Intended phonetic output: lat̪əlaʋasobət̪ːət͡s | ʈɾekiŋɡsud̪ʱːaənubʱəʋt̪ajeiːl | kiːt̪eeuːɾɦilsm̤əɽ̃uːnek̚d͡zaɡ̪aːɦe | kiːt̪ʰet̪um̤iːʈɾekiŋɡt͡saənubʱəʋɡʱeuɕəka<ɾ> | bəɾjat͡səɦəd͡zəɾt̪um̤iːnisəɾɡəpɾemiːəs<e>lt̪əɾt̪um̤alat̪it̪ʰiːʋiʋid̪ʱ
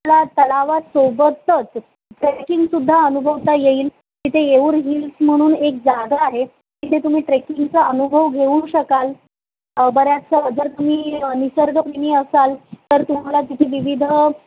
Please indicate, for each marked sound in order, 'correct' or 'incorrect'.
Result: incorrect, incorrect

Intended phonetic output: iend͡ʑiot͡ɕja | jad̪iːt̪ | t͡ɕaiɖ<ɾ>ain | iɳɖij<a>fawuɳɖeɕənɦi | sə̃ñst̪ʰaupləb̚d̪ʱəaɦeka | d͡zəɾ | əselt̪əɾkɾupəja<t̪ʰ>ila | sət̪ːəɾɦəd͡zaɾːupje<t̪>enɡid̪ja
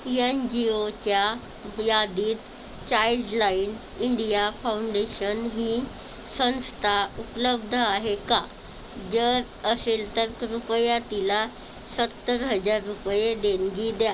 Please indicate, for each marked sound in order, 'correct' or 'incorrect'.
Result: incorrect, correct, incorrect, incorrect

